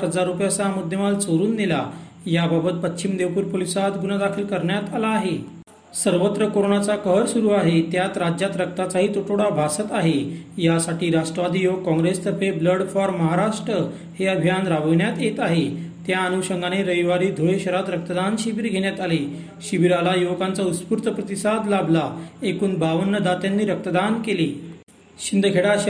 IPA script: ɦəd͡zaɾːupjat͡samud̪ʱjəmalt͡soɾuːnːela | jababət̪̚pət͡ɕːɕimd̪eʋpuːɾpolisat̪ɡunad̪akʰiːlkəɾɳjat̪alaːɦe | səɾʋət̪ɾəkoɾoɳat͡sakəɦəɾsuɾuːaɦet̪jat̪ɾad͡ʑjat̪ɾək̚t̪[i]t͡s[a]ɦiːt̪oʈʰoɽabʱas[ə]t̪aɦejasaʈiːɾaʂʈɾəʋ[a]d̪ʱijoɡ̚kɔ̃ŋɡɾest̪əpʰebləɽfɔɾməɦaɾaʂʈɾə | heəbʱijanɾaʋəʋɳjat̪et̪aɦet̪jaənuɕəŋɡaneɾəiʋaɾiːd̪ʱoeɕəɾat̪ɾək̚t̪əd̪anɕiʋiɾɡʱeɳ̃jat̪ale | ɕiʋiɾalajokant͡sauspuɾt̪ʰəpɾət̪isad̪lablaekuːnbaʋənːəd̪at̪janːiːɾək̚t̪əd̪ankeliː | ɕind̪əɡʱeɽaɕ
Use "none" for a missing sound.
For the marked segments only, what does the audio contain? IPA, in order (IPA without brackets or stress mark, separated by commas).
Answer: a, a, ə, a